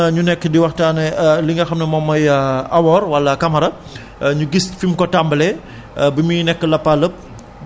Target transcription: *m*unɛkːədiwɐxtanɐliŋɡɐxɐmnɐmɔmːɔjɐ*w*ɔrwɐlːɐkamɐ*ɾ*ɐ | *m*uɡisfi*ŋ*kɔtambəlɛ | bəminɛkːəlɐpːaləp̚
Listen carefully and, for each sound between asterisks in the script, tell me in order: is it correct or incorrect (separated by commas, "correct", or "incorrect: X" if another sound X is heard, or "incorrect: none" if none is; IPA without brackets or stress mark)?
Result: incorrect: ɲ, correct, correct, incorrect: ɲ, incorrect: m